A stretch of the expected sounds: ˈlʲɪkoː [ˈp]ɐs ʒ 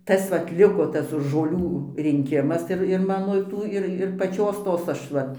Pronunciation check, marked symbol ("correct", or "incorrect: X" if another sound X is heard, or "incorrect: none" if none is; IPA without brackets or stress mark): incorrect: t